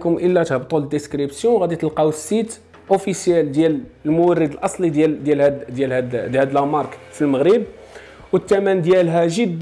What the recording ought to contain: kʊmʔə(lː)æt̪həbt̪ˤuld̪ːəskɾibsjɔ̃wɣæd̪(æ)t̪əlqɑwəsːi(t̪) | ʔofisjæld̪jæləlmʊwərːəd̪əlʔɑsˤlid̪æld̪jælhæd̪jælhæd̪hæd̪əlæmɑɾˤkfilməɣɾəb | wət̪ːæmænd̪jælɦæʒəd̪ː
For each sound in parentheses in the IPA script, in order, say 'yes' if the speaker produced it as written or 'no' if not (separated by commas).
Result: yes, no, yes